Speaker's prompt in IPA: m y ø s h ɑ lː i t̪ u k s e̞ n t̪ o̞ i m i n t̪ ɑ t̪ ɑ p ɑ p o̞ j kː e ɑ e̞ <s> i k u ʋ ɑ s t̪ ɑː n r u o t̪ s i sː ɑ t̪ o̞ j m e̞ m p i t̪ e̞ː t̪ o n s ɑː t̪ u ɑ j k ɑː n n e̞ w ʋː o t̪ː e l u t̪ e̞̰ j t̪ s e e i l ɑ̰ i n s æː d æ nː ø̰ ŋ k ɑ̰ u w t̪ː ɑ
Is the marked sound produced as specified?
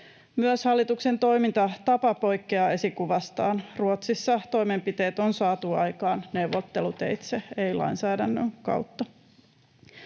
yes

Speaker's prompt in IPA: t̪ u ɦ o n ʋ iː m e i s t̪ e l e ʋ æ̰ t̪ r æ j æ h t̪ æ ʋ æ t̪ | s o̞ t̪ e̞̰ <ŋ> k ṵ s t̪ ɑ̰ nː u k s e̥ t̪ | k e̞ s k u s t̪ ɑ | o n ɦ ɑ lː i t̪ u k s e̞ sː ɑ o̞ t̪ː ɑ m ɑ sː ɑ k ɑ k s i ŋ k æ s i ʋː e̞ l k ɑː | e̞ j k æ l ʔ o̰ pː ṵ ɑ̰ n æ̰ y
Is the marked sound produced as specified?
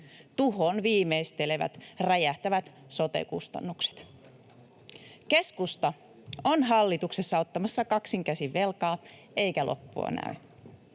no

